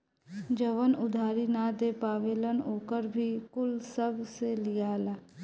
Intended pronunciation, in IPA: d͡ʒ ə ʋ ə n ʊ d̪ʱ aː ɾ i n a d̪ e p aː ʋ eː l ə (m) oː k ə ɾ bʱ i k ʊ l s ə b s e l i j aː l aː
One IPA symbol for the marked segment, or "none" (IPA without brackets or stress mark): n